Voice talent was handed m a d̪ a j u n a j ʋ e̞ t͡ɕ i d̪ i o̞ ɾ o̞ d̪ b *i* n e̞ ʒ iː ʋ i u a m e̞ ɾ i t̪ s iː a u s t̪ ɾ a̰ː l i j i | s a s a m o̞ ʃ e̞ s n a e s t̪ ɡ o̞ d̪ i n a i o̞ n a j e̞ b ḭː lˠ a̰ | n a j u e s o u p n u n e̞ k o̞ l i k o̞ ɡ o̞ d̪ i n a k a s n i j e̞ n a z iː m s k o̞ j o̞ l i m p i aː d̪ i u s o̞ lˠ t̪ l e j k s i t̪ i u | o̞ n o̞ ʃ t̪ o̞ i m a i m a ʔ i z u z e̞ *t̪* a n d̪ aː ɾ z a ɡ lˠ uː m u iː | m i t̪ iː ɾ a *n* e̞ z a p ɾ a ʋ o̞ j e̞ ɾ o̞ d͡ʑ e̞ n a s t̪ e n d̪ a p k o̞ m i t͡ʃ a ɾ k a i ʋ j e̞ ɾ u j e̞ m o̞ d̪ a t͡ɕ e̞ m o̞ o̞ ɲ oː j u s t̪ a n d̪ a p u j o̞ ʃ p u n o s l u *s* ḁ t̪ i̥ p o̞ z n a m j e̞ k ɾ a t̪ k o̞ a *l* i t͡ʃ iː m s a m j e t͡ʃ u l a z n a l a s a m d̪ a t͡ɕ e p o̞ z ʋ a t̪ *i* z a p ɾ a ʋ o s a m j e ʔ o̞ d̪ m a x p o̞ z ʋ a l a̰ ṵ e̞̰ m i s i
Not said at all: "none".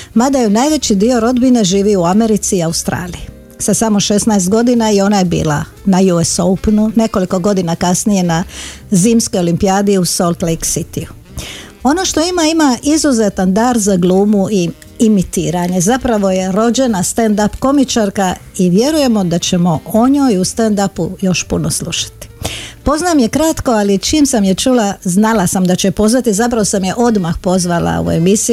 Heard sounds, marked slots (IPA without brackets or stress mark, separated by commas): i, t̪, ɲ, ʃ, l, i